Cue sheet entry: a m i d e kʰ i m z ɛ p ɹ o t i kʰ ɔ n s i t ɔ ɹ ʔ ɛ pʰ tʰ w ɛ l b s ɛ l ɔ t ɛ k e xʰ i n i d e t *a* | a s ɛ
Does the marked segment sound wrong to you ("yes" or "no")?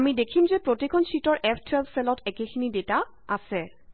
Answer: no